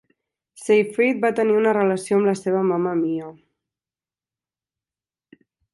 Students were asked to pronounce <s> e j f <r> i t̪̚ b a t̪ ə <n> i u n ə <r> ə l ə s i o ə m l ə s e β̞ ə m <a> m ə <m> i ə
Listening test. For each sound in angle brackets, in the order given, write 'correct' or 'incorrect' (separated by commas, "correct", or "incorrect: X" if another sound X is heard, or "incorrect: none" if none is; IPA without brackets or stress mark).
correct, incorrect: ɾ, correct, correct, correct, correct